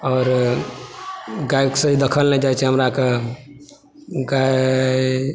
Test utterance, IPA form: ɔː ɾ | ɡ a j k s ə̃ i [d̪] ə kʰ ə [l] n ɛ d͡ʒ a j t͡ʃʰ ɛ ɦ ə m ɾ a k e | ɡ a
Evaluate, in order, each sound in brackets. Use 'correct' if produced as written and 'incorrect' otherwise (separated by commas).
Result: correct, correct